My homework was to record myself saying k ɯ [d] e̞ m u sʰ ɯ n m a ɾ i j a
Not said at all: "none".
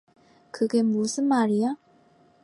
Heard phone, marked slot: ɡ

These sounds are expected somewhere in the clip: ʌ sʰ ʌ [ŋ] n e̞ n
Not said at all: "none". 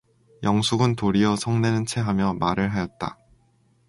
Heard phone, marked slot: ŋ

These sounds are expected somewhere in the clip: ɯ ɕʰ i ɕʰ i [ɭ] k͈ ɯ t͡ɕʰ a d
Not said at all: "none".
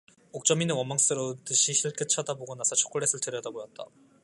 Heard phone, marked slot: ɭ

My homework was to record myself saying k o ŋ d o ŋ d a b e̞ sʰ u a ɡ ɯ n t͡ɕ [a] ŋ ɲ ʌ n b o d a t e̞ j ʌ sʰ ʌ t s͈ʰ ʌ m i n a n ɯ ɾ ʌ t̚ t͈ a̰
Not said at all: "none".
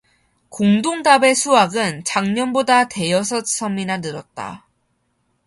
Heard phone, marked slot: a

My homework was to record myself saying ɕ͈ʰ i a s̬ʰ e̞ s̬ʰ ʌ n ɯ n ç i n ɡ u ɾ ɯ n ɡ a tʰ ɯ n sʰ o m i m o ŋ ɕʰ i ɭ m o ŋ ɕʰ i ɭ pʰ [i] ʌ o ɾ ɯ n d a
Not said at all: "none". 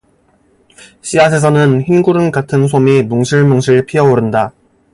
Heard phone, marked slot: i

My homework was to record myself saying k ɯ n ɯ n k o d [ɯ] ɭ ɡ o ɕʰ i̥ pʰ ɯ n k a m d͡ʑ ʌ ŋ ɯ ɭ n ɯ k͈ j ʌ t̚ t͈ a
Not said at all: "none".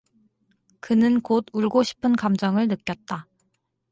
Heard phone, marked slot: u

